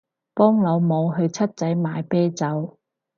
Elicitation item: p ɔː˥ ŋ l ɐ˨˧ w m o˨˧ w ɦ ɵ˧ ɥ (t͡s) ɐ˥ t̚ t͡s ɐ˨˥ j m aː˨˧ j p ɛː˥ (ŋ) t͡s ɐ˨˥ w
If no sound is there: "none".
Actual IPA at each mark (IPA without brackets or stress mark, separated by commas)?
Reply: t͡sʰ, none